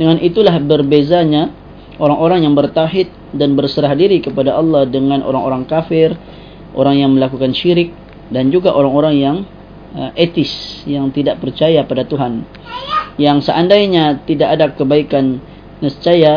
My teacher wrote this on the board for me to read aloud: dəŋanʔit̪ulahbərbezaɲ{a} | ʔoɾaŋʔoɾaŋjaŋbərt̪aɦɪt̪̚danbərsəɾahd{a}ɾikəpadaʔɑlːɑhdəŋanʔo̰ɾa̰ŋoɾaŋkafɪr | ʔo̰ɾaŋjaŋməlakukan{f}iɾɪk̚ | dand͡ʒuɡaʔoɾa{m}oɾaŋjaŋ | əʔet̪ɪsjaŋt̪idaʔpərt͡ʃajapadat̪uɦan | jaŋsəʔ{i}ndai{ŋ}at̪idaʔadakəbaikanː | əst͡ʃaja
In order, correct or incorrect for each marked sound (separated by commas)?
correct, incorrect, incorrect, incorrect, incorrect, incorrect